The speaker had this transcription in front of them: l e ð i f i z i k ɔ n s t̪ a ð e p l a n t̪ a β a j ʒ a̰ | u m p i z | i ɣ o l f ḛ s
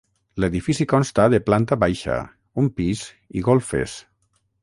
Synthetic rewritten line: l e ð i f i s i k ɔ n s t̪ a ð e p l a n t̪ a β a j ʃ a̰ | u m p i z | i ɣ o l f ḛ s